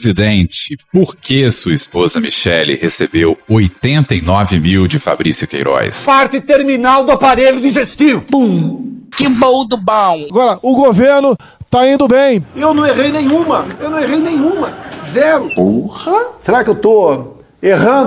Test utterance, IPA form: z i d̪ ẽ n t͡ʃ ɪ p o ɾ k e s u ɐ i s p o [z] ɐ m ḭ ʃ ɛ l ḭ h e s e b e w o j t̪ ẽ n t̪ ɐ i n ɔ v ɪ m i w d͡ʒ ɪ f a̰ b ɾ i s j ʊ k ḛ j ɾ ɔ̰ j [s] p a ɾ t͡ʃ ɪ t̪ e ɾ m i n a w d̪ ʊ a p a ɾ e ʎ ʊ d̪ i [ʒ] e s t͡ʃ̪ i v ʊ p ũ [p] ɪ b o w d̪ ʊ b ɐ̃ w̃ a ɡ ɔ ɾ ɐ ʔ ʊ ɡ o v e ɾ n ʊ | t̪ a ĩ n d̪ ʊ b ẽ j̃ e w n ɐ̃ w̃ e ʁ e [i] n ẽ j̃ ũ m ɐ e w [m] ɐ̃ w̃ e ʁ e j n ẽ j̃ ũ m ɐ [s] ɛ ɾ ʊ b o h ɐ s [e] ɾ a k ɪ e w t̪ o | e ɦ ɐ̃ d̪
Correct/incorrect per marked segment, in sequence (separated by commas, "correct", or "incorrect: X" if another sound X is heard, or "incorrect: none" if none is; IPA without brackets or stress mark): correct, correct, correct, incorrect: k, incorrect: j, incorrect: n, incorrect: z, correct